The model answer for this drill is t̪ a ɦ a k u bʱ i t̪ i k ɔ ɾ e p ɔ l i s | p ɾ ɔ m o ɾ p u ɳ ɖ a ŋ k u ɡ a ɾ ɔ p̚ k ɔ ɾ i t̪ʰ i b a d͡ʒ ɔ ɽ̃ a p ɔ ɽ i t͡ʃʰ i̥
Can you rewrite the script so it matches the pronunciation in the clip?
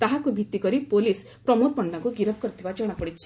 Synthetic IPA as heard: t̪ a ɦ a k u bʱ i t̪ i k ɔ ɾ i p o l i s | p ɾ ɔ m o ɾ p ɔ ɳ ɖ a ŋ k u ɡ i ɾ ɔ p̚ k ɔ ɾ i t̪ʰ i b a d͡ʒ ɔ ɽ̃ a p ɔ ɽ i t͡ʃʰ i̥